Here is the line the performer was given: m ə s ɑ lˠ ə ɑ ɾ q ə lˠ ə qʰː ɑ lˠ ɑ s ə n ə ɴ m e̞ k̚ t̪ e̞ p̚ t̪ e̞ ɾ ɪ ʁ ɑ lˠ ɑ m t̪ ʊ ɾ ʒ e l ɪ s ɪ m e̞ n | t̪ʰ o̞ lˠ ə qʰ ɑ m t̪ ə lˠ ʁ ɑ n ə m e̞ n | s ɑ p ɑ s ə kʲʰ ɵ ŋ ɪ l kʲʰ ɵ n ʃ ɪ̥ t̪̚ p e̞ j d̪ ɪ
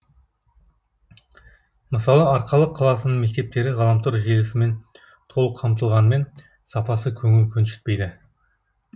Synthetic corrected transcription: m ə s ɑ lˠ ə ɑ ɾ q ɑ lˠ ə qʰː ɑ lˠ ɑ s ə n ə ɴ m e̞ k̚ t̪ e̞ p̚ t̪ e̞ ɾ ɪ ʁ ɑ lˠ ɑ m t̪ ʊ ɾ ʒ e l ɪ s ɪ m e̞ n | t̪ʰ o̞ lˠ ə qʰ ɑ m t̪ ə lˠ ʁ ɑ n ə m e̞ n | s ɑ p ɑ s ə kʲʰ ɵ ŋ ɪ l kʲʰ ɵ n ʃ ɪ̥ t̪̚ p e̞ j d̪ ɪ